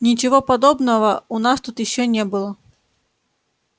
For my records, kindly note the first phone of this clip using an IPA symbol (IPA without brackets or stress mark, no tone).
nʲ